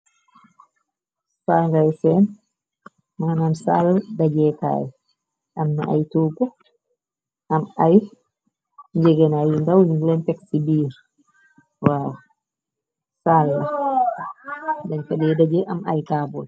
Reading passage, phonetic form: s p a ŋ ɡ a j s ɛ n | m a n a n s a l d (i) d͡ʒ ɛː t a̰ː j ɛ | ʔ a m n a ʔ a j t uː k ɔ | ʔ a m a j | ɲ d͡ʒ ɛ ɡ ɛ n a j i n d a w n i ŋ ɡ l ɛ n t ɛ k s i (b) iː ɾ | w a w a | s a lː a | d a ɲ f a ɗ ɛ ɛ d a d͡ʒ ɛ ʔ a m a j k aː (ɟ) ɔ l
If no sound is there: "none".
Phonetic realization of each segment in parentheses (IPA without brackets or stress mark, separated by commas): a, b, b